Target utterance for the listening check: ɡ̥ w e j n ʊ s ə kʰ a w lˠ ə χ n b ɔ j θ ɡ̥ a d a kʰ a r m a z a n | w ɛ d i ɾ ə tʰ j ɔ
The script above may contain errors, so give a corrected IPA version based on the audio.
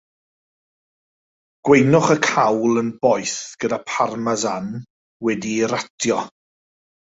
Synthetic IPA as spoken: ɡ̥ w e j n ʊ χ ə kʰ a w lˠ ə n b ɔ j θ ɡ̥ ə d a pʰ a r m a z a n | w ɛ d i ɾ a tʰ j ɔ